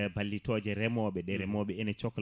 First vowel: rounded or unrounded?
unrounded